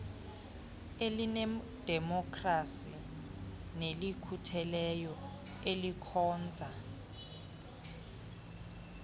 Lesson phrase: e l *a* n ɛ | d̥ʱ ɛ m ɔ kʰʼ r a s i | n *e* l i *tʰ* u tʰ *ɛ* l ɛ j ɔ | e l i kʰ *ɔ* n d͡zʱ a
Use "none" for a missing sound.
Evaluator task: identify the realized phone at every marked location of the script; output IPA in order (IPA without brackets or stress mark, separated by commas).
i, e, kʰ, ɛ, ɔː